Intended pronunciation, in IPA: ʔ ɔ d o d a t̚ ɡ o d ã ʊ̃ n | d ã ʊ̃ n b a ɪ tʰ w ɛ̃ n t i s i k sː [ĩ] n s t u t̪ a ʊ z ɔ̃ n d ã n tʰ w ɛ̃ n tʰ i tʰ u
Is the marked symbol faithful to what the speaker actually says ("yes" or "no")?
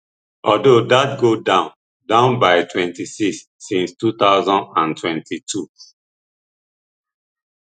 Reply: yes